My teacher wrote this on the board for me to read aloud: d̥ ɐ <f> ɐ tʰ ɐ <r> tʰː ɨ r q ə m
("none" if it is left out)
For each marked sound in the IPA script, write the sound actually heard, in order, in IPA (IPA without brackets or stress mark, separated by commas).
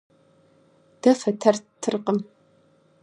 f, r